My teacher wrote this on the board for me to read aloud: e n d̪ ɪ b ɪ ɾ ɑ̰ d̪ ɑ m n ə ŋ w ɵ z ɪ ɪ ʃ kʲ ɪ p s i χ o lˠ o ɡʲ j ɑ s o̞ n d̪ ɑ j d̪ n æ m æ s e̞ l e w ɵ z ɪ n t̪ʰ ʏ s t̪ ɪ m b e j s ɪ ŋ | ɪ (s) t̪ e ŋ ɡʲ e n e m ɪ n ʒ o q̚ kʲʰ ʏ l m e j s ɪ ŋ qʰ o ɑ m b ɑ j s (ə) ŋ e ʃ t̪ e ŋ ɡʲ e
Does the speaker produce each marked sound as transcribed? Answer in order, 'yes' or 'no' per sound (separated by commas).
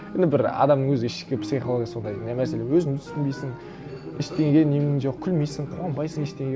no, yes